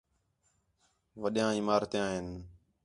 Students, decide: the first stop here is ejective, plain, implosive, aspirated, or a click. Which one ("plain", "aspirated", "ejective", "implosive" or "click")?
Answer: implosive